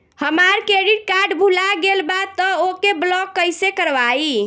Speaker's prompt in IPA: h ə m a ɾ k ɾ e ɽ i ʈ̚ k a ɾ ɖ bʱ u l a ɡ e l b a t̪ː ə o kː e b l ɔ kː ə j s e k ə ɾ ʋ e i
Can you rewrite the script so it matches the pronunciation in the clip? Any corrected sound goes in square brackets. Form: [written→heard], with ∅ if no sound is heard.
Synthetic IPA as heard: h ə m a ɾ k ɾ e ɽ i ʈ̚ k a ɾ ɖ bʱ u l a ɡ e l b a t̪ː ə o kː e b l ɔ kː ə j s e k ə ɾ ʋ [e→a] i